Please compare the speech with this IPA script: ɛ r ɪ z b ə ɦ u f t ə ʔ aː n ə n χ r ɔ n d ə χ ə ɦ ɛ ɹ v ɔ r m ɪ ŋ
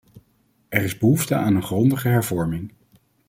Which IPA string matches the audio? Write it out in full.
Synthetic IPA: ɛ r ɪ z b ə ɦ u f t ə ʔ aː n ə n χ r ɔ n d ə χ ə ɦ ɛ ɹ v ɔ ɹ m ɪ ŋ